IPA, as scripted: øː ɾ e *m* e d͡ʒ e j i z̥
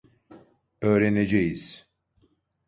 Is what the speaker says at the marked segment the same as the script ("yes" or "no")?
no